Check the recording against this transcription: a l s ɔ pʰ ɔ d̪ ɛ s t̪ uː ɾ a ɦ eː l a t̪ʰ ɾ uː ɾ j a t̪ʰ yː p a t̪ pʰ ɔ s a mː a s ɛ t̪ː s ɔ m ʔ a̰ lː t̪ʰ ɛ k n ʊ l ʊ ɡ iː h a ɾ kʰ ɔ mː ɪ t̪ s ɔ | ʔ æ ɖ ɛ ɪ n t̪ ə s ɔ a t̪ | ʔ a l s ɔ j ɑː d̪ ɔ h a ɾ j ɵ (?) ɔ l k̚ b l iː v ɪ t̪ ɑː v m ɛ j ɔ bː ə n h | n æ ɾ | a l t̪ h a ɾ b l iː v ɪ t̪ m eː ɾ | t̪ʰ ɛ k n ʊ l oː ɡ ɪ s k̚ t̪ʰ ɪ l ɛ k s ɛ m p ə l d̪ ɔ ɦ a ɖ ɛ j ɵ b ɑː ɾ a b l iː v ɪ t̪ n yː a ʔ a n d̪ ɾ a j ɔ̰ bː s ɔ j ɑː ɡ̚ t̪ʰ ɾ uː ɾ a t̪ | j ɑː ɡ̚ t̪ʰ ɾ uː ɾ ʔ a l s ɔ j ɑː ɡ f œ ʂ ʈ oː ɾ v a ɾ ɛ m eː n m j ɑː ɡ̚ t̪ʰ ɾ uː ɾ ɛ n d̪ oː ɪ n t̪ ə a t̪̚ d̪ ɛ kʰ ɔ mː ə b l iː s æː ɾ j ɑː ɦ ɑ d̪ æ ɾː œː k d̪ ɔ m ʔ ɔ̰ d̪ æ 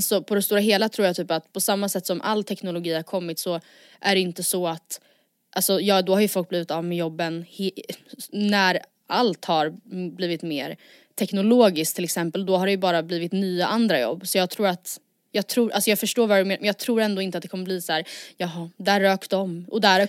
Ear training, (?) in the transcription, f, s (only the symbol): f